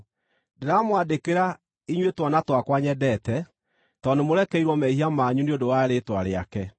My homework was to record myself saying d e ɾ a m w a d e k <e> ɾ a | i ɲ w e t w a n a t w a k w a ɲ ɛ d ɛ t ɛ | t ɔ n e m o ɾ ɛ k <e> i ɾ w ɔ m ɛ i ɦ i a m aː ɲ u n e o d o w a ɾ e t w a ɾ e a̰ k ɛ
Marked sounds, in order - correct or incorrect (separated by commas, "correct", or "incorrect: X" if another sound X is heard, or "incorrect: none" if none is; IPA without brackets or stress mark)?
correct, incorrect: ɛ